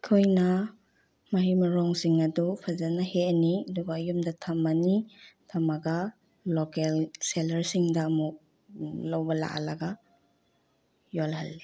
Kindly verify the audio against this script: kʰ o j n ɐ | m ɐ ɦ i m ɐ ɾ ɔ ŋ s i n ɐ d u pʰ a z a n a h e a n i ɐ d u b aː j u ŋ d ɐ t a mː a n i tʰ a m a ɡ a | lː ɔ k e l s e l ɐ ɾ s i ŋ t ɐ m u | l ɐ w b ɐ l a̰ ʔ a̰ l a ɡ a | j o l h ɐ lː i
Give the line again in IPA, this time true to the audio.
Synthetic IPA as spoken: kʰ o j n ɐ | m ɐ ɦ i m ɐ ɾ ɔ ŋ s i ŋ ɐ d u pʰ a z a n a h e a n i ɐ d u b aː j u m d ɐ tʰ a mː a n i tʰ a m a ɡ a | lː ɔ k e l s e l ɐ ɾ s i ŋ d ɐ m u | l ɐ w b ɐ l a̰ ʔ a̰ l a ɡ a | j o l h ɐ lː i